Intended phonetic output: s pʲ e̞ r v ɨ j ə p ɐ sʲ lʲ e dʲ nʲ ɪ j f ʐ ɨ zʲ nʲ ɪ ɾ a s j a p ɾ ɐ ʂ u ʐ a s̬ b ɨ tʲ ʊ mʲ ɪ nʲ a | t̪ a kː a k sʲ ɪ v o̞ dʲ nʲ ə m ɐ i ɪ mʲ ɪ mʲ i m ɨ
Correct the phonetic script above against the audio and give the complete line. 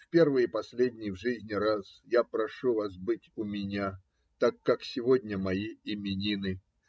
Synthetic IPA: f pʲ e̞ r v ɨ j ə p ɐ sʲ lʲ e dʲ nʲ ɪ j v ʐ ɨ zʲ nʲ ɪ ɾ a s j a p ɾ ɐ ʂ u v a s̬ b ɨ tʲ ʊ mʲ ɪ nʲ a | t̪ a kː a k sʲ ɪ v o̞ dʲ nʲ ə m ɐ i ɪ mʲ ɪ nʲ i n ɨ